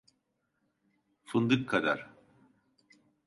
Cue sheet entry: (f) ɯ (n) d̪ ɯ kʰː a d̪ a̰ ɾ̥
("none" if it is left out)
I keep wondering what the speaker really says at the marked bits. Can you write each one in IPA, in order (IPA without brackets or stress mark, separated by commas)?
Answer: f, n